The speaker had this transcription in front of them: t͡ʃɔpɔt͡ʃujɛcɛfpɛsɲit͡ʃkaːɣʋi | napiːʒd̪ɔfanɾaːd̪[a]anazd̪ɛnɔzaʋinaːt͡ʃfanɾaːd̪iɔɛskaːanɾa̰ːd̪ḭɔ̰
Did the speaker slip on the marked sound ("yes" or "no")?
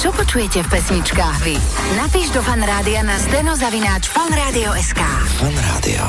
yes